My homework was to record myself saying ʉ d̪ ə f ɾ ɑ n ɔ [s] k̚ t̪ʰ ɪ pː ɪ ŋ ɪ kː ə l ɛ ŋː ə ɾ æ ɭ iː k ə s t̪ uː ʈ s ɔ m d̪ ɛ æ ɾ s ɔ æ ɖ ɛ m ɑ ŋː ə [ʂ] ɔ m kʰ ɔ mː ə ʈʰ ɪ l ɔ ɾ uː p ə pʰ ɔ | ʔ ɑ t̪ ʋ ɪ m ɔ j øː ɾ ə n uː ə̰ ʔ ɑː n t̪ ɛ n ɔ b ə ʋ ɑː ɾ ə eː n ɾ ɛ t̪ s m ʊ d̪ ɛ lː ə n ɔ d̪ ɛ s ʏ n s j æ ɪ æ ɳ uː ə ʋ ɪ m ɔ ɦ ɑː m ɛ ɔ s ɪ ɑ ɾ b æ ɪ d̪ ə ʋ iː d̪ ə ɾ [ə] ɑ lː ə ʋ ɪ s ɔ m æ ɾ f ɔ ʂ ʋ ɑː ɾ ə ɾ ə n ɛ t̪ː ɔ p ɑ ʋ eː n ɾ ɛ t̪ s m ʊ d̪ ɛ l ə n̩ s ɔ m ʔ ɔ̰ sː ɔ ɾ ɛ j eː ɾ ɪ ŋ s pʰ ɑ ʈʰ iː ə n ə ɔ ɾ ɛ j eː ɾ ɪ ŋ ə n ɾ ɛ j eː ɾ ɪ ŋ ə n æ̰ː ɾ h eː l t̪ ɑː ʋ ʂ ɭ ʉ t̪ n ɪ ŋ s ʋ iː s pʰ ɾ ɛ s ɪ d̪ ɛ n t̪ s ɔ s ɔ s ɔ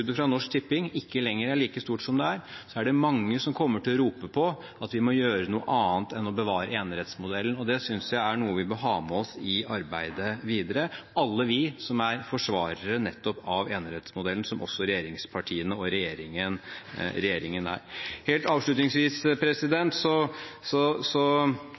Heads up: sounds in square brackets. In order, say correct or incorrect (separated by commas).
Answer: incorrect, incorrect, correct